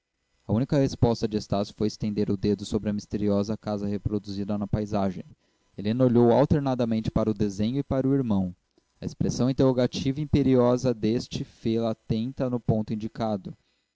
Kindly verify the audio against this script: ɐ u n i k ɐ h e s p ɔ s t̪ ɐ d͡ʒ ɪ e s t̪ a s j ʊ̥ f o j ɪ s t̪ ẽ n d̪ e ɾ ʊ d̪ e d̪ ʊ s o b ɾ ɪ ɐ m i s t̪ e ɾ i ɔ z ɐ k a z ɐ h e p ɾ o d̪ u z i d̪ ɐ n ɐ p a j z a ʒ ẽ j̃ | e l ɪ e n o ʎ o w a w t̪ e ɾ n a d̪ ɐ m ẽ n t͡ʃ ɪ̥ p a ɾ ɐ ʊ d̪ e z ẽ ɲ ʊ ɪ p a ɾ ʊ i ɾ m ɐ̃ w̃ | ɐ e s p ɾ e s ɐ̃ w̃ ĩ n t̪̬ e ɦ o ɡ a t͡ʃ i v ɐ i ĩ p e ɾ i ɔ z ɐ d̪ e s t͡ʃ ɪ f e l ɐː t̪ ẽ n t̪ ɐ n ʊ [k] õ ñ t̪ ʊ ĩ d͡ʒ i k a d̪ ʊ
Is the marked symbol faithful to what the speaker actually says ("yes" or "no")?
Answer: no